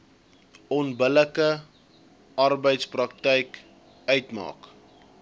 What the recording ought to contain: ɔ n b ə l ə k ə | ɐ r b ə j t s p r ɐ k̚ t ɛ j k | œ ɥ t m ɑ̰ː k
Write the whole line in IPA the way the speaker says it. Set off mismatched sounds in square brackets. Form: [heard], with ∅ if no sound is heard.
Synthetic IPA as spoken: ɔ n b ə l ə k ə | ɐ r b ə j t s p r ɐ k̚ t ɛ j k | œ ɥ t m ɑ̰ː k